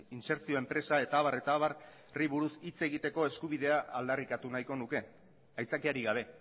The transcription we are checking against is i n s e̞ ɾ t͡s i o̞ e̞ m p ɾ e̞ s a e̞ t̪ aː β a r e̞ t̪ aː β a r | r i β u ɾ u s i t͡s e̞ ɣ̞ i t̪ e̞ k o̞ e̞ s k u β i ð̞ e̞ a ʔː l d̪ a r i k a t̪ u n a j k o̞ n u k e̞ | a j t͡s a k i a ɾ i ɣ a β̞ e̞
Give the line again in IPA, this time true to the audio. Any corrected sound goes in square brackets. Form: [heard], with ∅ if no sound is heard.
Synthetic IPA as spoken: i n s e̞ ɾ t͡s i o̞ e̞ m p ɾ e̞ s a e̞ t̪ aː β a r e̞ t̪ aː β a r | r i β u ɾ u s i t͡s e̞ ɣ̞ i t̪ e̞ k o̞ e̞ s k u β i ð̞ e̞ a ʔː l d̪ a r i k a t̪ u n a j k o̞ n u k e̞ | a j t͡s a k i a ɾ i ɣ a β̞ e̞